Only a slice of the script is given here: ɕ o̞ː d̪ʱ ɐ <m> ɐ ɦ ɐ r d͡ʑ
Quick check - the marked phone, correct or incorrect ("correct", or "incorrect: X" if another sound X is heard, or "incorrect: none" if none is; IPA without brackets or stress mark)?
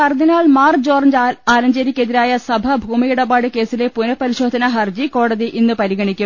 incorrect: n